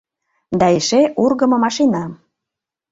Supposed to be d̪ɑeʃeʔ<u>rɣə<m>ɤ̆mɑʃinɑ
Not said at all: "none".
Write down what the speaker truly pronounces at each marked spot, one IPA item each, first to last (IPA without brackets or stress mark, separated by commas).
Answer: u, m